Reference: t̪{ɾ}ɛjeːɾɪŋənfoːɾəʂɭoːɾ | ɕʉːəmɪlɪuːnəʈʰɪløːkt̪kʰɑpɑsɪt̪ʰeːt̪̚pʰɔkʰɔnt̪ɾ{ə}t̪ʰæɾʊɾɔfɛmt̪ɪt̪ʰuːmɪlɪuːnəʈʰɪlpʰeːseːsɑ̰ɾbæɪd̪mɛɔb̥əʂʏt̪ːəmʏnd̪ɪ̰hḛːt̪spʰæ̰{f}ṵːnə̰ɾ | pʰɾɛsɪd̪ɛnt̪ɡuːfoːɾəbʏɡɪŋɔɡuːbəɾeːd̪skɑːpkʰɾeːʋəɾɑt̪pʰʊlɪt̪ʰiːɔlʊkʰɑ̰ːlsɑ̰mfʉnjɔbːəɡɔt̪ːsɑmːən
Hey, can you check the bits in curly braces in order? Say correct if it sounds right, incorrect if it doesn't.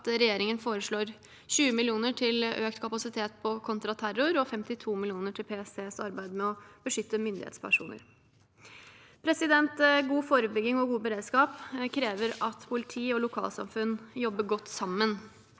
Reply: correct, incorrect, incorrect

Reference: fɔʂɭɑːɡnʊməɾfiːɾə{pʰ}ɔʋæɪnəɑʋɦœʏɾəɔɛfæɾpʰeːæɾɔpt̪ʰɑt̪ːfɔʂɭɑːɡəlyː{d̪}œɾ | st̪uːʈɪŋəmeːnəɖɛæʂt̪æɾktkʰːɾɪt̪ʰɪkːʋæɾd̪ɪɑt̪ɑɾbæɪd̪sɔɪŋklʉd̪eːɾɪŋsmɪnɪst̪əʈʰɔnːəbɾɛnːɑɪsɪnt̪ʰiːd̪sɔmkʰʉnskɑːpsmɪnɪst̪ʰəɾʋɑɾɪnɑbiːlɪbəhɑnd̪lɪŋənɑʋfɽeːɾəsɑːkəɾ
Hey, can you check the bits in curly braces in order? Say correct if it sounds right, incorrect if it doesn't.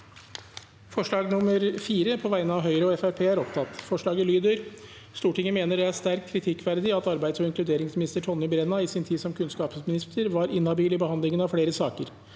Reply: correct, correct

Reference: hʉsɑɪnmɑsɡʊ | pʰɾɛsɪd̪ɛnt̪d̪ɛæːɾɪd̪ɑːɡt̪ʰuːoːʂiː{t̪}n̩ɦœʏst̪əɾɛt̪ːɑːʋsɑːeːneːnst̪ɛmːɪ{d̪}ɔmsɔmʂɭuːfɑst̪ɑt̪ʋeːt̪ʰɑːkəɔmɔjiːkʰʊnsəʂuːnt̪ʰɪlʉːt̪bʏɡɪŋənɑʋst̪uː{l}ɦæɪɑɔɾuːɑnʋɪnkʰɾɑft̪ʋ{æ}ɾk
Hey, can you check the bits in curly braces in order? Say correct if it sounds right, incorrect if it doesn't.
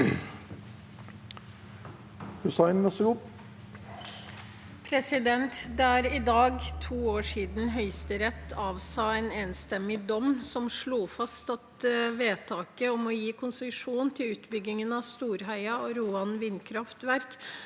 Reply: incorrect, correct, incorrect, correct

